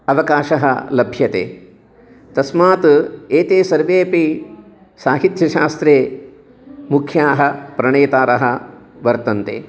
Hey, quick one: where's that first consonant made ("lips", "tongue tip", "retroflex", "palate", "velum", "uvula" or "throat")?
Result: lips